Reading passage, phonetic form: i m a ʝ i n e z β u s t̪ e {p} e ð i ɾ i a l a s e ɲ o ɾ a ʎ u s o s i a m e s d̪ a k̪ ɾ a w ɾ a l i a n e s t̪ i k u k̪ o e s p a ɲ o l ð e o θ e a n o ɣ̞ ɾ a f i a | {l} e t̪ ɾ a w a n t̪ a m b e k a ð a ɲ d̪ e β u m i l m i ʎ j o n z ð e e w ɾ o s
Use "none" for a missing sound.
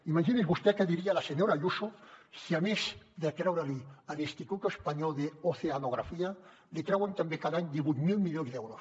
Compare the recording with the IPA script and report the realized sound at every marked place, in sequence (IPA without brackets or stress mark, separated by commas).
k, l